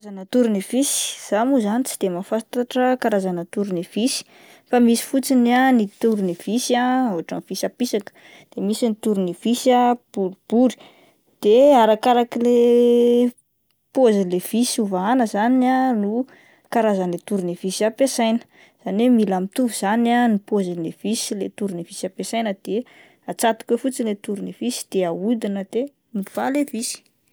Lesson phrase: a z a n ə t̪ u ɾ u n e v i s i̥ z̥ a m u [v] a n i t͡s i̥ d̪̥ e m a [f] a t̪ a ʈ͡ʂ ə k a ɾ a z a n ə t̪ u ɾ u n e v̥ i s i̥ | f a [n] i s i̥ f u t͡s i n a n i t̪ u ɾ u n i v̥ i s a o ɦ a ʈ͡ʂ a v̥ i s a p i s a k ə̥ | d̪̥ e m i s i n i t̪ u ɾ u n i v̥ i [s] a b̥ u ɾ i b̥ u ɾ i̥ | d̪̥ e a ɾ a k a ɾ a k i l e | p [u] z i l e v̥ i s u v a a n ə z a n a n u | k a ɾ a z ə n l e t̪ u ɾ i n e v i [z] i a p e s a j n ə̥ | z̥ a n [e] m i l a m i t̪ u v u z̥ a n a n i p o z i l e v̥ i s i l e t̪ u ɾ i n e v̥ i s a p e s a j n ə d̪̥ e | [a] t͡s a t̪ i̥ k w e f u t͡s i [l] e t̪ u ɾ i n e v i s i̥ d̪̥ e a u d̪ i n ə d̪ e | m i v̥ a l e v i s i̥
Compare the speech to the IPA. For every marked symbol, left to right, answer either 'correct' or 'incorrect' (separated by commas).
incorrect, correct, incorrect, correct, incorrect, incorrect, correct, correct, correct